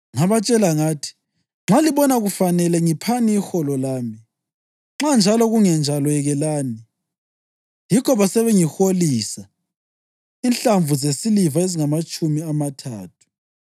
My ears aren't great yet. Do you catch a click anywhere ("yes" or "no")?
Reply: yes